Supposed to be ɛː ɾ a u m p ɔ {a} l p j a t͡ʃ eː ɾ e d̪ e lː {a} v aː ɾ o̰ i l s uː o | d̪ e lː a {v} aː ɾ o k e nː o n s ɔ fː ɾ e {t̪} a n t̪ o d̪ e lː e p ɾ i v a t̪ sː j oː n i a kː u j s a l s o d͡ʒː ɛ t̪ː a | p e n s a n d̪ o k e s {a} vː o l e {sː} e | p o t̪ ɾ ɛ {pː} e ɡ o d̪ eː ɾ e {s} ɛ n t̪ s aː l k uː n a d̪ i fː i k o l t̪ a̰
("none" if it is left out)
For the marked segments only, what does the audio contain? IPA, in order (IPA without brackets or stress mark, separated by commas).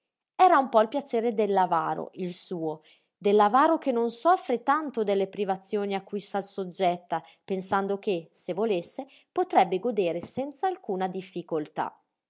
i, a, v, t̪, e, sː, bː, s